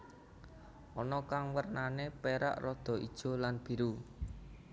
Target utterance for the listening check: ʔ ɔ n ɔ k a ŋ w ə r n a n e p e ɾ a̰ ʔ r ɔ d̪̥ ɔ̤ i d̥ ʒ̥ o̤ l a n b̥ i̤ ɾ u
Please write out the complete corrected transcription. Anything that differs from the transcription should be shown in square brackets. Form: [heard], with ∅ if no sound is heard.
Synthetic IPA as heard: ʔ ɔ n ɔ k a ŋ w ə r n a n e p e ɾ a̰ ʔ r ɔ d̪̥ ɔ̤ i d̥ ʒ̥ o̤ l a n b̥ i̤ ɾ u

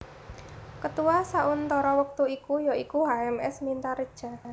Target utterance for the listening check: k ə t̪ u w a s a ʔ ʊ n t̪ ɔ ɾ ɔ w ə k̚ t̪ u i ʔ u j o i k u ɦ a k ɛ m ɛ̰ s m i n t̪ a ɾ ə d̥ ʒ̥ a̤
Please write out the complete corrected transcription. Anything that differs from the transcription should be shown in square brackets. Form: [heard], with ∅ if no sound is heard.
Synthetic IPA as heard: k ə t̪ u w a s a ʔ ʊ n t̪ ɔ ɾ ɔ w ə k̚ t̪ u i [k] u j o i k u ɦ a [∅] ɛ m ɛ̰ s m i n t̪ a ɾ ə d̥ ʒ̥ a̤

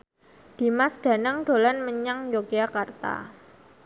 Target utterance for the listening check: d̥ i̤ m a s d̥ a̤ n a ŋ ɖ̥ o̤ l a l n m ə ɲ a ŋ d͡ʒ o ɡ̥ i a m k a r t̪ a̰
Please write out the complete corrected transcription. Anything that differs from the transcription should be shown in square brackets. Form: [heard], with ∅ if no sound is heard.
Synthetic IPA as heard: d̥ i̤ m a s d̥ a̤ n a ŋ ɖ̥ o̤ l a [∅] n m ə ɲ a ŋ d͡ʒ o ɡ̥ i a [∅] k a r t̪ a̰

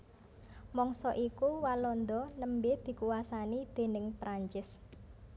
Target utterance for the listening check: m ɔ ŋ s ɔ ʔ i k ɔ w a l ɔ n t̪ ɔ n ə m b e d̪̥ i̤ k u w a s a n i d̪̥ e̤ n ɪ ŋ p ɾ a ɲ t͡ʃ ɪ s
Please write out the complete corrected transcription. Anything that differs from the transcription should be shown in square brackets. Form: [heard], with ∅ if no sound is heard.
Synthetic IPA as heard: m ɔ ŋ s ɔ ʔ i k [u] w a l ɔ n [d̪] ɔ n ə m b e d̪̥ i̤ k u w a s a n i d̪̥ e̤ n ɪ ŋ p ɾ a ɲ t͡ʃ ɪ s

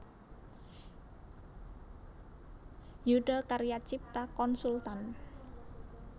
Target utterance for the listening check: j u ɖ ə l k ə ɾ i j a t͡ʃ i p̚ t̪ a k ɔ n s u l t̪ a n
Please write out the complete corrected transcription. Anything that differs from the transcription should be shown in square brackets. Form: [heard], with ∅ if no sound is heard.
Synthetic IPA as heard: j u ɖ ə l k [a] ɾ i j a t͡ʃ i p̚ t̪ a k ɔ n s u l t̪ a n

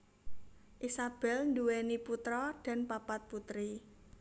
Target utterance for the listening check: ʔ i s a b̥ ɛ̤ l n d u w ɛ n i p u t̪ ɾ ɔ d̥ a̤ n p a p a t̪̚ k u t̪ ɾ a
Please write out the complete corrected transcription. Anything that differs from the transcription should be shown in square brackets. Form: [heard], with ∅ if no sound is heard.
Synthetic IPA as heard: ʔ i s a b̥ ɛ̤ l n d u w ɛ n i p u t̪ ɾ ɔ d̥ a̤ n p a p a t̪̚ [p] u t̪ ɾ [i]

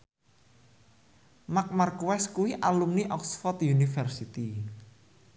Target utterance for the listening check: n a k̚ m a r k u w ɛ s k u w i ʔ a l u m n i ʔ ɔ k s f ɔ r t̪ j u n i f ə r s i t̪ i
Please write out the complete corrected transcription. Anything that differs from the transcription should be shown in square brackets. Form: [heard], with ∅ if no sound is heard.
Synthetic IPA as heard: [m] a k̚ m a r k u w ɛ s k u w i ʔ a l u m n i ʔ ɔ k s f ɔ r t̪ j u n i f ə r s i t̪ i

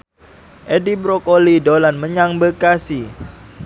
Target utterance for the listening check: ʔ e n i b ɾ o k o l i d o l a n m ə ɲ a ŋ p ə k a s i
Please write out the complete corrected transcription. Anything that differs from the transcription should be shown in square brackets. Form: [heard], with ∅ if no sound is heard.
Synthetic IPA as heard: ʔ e [d] i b ɾ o k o l i d o l a n m ə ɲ a ŋ [b] ə k a s i

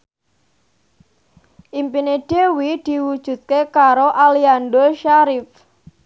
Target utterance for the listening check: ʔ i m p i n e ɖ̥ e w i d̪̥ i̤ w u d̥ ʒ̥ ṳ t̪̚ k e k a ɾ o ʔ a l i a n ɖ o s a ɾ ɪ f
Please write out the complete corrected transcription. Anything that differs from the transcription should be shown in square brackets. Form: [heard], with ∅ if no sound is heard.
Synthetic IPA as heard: ʔ i m p i n e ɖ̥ e w i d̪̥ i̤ w u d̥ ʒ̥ ṳ t̪̚ k e k a ɾ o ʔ a l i a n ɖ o [ʃ] a ɾ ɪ f

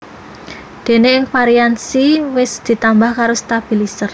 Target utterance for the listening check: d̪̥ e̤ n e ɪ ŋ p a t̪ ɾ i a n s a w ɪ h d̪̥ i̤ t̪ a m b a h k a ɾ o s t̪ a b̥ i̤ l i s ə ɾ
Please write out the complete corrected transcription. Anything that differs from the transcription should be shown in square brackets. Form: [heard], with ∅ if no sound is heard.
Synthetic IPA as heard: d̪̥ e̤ n e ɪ ŋ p a [∅] ɾ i a n s [i] w ɪ [s] d̪̥ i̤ t̪ a m b a h k a ɾ o s t̪ a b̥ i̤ l i s ə [r]

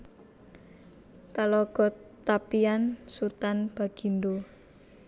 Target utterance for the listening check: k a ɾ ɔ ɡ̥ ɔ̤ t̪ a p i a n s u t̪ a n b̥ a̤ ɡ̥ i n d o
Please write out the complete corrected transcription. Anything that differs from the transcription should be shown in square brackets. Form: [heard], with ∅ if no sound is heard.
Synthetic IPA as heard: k a [l] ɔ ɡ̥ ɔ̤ t̪ a p i a n s u t̪ a n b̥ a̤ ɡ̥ i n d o

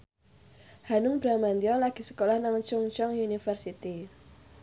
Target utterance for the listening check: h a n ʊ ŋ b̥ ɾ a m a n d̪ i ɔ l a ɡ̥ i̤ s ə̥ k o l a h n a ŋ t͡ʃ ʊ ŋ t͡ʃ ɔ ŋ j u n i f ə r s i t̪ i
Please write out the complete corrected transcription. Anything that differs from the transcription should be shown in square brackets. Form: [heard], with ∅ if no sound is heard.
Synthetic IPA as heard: h a n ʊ ŋ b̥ ɾ a m a n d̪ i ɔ l a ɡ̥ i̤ s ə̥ k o l a h n a ŋ t͡ʃ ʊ ŋ t͡ʃ ɔ ŋ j u n i f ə r s i t̪ i

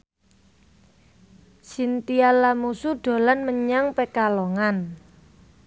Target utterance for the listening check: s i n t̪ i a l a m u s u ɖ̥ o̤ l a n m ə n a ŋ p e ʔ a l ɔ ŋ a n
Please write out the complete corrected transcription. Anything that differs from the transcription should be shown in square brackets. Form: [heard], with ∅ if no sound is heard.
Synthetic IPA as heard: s i n t̪ i a l a m u s u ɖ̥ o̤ l a n m ə [ɲ] a ŋ p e [k] a l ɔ ŋ a n

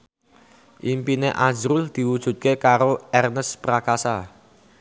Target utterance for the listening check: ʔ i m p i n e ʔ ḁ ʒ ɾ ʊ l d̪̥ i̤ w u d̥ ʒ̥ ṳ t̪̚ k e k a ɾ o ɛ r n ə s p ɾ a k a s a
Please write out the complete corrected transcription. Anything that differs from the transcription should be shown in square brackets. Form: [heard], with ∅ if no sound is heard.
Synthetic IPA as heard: ʔ i m p i n e ʔ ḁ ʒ ɾ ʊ l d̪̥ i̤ w u d̥ ʒ̥ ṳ t̪̚ k e k a ɾ o ɛ r n ə s p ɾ a k a s a

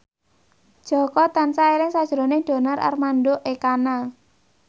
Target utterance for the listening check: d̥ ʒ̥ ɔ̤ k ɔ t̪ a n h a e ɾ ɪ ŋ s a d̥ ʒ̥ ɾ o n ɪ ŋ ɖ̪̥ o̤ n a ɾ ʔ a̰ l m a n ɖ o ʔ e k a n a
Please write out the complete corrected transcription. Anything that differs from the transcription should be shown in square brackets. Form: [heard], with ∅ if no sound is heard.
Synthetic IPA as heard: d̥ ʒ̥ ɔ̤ k ɔ t̪ a n [s] a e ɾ ɪ ŋ s a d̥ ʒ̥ ɾ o n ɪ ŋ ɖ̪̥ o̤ n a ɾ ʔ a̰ [r] m a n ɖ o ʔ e k a n a

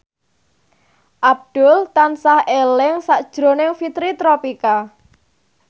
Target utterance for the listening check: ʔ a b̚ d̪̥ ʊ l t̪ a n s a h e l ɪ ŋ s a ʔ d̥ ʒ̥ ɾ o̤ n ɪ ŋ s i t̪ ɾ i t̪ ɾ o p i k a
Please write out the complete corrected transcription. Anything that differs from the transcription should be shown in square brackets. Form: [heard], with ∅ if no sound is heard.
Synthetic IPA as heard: ʔ a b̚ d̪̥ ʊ l t̪ a n s a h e l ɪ ŋ s a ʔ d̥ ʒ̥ ɾ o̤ n ɪ ŋ [f] i t̪ ɾ i t̪ ɾ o p i k a

